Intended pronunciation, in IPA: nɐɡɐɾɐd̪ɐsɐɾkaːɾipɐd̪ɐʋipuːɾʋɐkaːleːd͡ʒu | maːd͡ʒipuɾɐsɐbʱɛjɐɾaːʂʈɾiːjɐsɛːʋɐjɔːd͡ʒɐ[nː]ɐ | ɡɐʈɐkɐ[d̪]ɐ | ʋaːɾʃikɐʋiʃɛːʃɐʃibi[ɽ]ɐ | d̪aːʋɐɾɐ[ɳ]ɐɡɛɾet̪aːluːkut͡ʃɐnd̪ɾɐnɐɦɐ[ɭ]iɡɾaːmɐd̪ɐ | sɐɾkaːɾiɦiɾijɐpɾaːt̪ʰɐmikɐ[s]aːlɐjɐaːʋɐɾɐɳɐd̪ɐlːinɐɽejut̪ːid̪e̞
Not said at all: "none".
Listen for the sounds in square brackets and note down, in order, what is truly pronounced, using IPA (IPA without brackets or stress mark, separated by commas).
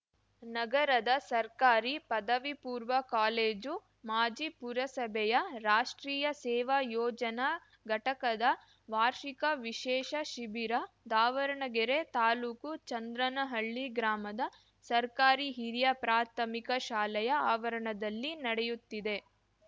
n, d̪, ɾ, ɳ, ɭː, ʃ